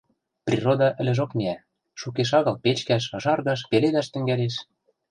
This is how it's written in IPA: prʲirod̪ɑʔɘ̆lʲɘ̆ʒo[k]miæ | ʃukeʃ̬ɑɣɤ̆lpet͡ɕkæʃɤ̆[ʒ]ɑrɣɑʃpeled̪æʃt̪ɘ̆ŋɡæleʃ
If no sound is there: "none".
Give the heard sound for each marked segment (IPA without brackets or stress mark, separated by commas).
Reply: k, ʒ